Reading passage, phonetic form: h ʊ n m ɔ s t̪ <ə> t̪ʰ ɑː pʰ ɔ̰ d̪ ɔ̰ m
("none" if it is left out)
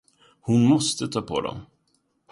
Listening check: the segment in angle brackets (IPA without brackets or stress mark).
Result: ə